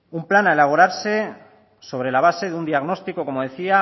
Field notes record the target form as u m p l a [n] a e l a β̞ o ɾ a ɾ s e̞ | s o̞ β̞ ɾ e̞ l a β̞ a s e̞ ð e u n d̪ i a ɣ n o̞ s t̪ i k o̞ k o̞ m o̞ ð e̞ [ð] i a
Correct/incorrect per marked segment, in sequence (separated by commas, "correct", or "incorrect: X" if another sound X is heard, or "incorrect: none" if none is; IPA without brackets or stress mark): correct, incorrect: θ